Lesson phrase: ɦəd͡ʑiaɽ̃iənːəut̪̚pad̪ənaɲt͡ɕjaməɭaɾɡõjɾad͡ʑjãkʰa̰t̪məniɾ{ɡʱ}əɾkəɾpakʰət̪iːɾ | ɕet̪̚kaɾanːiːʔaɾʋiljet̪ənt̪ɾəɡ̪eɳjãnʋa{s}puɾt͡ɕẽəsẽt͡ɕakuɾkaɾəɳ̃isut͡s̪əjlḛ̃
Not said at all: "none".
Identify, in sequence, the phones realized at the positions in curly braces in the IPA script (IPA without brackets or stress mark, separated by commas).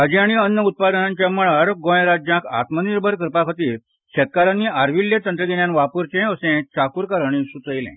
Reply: bʱ, none